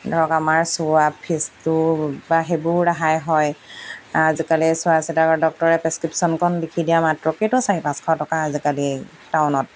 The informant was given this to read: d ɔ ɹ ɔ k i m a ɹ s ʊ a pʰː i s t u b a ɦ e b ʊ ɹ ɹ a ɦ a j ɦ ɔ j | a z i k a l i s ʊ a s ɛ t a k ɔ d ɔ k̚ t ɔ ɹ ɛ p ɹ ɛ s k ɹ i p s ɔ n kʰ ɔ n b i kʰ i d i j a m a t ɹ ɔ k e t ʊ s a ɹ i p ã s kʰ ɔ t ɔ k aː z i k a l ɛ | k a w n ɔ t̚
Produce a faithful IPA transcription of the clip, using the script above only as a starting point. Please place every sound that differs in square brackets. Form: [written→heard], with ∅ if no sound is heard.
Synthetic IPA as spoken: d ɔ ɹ ɔ k [i→a] m a ɹ s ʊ a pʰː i s t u b a ɦ e b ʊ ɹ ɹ a ɦ a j ɦ ɔ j | a z i k a l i s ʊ a s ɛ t a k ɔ d ɔ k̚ t ɔ ɹ ɛ p ɹ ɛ s k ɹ i p s ɔ n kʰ ɔ n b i kʰ i d i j a m a t ɹ ɔ k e t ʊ s a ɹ i p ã s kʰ ɔ t ɔ k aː z i k a l [ɛ→i] | [k→t] a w n ɔ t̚